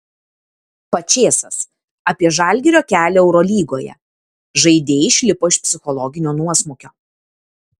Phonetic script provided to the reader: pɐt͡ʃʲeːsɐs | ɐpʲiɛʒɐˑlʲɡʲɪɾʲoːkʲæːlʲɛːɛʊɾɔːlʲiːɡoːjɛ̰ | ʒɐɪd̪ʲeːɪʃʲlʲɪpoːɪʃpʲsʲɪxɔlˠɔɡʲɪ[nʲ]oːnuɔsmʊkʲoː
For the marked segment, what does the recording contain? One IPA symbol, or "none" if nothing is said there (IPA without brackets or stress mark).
nʲ